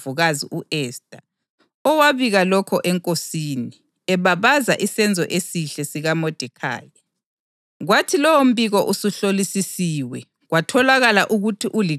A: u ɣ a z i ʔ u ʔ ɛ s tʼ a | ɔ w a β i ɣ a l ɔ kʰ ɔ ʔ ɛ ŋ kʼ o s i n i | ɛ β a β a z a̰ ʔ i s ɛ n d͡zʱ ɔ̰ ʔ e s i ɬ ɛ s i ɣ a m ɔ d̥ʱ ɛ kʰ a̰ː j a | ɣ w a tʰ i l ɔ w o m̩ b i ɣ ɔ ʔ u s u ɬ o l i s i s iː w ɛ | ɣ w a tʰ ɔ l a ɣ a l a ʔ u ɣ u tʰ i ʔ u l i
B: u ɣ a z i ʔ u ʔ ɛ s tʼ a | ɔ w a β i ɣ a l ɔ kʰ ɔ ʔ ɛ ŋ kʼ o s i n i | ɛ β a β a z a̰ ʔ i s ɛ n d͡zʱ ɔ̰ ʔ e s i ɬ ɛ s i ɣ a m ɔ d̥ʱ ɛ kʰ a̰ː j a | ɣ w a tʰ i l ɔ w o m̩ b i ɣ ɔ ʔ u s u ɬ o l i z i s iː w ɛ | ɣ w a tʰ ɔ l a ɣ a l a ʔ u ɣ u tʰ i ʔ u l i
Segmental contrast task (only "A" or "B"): A